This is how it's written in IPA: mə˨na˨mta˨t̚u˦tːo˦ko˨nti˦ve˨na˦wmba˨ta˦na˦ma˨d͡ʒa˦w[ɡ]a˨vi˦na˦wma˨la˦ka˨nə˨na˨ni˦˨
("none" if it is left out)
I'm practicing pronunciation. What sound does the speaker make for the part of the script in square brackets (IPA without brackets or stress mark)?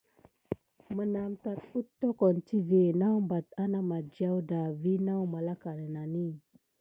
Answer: d